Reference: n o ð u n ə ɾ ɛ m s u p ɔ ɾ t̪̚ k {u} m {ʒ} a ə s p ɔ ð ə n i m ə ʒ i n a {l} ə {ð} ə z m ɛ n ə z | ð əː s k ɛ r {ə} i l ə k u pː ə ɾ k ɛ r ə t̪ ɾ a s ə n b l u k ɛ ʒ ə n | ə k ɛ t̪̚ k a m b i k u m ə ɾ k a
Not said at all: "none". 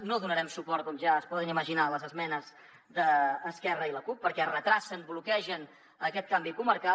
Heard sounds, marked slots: ɔ, ʒ, l, z, ə

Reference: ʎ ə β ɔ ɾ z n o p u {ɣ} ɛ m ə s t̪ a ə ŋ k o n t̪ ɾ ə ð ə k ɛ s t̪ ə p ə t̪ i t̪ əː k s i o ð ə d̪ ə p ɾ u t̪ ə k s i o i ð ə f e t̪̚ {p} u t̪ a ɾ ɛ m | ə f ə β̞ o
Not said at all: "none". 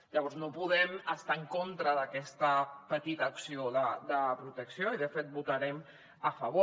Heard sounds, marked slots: ð, b

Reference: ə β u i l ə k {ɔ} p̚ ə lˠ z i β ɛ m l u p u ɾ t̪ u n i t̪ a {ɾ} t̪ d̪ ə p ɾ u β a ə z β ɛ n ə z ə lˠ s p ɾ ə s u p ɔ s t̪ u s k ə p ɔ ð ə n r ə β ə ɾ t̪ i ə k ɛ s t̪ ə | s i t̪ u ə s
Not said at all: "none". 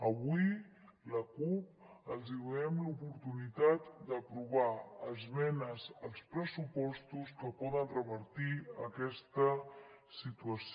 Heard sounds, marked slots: u, none

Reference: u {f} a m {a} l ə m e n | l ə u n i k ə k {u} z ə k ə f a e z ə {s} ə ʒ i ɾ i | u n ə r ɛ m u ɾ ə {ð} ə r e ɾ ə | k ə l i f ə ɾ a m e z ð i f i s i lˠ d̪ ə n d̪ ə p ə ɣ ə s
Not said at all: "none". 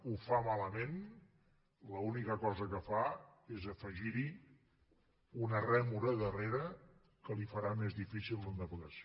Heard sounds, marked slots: f, a, ɔ, f, ð

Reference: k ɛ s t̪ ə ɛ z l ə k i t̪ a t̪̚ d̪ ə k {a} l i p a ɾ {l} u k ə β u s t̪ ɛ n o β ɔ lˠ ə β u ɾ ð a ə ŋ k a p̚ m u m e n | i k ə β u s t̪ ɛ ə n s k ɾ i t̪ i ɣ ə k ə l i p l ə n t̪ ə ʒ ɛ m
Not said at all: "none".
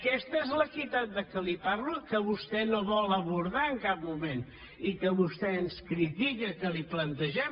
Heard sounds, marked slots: ə, l

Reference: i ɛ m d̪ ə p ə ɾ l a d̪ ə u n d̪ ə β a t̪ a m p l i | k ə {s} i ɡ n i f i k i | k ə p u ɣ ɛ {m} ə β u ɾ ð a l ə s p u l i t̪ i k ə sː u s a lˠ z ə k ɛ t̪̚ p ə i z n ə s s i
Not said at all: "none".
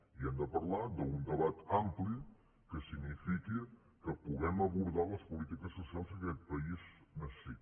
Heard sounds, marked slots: s, m

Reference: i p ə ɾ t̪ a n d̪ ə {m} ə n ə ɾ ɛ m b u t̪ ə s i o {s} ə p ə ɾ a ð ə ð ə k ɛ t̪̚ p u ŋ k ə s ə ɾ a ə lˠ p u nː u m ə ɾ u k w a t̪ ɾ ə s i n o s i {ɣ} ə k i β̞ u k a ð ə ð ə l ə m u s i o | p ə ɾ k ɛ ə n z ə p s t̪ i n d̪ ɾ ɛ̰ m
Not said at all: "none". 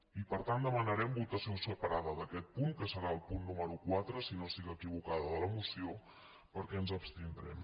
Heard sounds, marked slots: m, s, ɣ

